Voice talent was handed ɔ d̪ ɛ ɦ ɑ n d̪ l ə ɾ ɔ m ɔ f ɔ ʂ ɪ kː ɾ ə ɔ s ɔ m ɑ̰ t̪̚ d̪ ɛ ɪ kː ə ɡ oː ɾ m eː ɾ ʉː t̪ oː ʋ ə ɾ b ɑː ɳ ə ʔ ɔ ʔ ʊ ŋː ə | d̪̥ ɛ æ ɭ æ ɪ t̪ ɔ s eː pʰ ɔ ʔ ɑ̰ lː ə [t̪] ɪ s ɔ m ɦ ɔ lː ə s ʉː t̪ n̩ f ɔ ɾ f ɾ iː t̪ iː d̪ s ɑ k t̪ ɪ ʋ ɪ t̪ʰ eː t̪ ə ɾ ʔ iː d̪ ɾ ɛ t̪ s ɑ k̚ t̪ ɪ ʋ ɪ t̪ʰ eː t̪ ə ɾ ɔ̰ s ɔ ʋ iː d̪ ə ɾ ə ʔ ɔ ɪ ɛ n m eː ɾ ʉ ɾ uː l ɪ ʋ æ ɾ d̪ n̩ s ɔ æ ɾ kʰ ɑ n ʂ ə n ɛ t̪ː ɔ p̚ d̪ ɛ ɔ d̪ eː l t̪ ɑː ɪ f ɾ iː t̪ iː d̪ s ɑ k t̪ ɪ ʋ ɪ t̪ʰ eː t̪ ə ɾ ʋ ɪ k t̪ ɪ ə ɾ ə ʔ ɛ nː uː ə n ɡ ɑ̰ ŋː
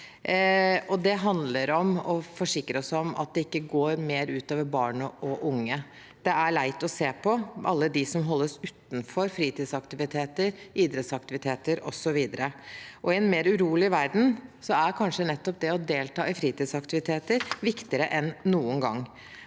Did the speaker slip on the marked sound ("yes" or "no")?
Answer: yes